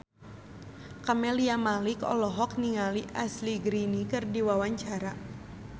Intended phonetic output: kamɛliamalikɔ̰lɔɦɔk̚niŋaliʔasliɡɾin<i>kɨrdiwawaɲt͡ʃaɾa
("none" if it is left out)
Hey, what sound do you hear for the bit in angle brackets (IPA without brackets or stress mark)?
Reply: i